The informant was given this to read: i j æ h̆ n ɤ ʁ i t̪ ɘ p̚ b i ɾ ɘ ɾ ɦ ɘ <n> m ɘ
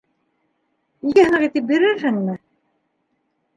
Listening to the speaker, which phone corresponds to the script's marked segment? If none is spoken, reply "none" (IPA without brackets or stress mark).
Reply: ŋ